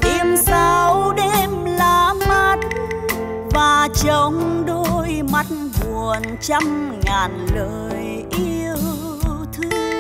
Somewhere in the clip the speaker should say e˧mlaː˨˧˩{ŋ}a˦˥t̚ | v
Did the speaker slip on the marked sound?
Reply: yes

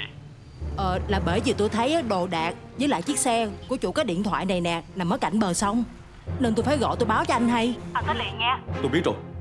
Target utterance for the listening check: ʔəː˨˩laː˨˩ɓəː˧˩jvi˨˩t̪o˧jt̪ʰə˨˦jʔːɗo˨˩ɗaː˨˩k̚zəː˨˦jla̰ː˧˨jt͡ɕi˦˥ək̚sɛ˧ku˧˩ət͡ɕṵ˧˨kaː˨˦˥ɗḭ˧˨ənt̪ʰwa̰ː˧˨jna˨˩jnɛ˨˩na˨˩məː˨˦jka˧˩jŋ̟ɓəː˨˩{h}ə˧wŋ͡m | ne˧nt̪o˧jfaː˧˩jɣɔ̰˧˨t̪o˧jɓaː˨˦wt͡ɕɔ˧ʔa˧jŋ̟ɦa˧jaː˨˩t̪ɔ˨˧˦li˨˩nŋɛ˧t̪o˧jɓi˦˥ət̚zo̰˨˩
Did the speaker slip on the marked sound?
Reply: yes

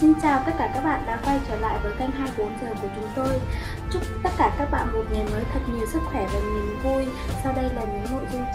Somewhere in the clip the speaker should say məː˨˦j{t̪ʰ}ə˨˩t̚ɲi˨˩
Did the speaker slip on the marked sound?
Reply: no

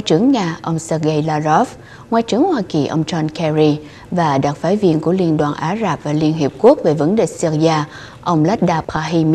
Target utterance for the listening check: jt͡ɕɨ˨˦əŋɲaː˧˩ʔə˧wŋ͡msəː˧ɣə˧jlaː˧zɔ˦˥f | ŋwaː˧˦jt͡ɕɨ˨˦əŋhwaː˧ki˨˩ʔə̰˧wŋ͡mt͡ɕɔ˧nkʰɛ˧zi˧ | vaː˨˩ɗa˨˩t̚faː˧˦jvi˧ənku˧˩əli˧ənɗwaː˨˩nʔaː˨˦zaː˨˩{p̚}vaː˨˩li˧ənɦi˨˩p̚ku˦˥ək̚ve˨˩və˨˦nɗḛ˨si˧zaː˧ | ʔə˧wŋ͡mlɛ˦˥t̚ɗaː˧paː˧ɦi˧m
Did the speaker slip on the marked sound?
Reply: no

